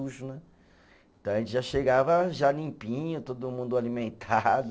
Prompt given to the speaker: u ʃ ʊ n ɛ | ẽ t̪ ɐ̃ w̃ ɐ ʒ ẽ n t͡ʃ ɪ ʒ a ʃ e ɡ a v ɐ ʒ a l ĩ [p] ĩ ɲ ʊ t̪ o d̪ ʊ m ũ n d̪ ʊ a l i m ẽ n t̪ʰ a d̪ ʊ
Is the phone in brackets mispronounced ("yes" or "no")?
no